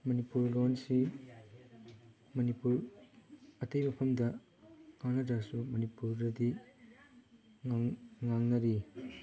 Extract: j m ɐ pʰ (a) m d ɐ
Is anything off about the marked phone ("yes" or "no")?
yes